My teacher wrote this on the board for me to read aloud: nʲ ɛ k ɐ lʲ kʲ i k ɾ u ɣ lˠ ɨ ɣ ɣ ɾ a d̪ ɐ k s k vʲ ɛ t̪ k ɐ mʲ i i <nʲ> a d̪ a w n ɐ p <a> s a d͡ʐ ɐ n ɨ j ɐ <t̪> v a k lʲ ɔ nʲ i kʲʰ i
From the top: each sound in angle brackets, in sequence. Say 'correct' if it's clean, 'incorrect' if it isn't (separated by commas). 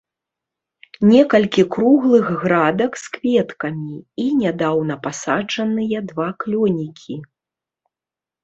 correct, correct, incorrect